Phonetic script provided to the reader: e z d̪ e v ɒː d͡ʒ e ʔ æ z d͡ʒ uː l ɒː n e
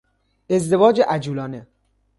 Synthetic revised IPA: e z d̪ e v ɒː d͡ʒ e ʔ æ d͡ʒ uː l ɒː n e